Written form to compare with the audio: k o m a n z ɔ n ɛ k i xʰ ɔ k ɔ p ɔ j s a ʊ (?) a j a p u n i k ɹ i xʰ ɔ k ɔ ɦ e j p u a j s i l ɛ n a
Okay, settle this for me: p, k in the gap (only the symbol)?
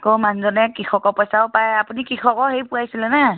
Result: p